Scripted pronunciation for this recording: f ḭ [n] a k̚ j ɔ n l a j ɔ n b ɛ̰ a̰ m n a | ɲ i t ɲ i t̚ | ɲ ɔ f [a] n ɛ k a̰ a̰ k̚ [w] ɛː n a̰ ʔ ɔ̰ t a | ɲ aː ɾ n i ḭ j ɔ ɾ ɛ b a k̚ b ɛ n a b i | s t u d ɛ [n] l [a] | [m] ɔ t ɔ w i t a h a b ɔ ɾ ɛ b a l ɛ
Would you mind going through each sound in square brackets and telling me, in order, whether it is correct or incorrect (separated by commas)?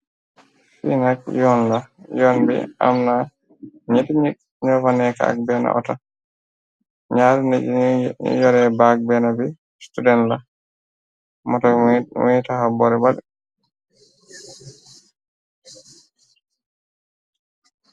correct, correct, incorrect, correct, correct, correct